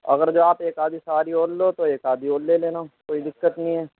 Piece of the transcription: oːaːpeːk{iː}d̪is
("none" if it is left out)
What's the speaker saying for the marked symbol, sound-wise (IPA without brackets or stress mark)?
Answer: aː